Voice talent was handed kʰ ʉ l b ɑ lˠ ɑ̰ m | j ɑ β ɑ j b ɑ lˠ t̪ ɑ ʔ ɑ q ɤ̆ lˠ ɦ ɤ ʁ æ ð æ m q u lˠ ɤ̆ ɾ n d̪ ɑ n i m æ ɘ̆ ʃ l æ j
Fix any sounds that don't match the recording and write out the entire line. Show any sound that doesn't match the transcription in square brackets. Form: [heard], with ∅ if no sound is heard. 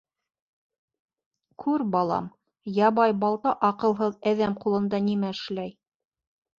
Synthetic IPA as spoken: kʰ ʉ [ɾ] b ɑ lˠ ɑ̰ m | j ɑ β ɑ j b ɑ lˠ t̪ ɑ ʔ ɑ q ɤ̆ lˠ ɦ ɤ [ð] æ ð æ m q u lˠ ɤ̆ [∅] n d̪ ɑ n i m æ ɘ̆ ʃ l æ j